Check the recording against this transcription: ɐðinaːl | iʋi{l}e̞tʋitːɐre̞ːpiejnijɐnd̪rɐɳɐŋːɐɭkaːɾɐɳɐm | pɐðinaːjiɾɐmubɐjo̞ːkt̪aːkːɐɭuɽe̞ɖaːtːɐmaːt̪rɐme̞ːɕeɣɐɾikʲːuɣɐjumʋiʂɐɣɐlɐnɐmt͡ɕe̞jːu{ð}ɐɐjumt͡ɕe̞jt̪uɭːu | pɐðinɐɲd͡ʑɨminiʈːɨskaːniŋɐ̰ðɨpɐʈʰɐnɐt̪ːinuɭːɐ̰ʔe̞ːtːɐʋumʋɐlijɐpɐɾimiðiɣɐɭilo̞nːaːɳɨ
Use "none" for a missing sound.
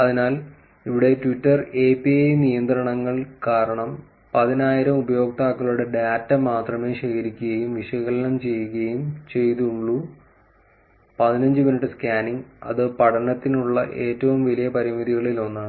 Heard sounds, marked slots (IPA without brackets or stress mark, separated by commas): ɽ, ɣ